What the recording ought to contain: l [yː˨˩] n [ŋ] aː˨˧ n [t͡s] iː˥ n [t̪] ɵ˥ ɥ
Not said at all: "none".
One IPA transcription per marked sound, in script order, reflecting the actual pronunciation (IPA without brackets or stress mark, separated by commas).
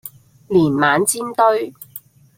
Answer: iː˨˩, m, t͡s, t̪